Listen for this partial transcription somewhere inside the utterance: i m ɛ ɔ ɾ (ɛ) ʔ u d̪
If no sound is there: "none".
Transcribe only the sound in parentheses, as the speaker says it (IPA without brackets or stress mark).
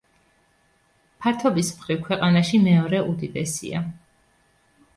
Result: ɛ